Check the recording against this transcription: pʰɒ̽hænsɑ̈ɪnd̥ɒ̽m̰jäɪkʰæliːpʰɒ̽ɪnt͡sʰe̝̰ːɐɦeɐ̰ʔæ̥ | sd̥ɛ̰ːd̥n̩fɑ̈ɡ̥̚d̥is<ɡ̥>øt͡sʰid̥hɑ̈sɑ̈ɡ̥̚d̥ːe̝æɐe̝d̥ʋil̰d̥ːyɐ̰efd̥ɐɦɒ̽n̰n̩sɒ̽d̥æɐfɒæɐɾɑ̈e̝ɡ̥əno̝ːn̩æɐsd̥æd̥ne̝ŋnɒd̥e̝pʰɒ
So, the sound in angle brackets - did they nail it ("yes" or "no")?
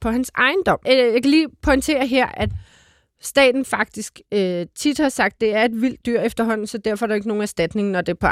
yes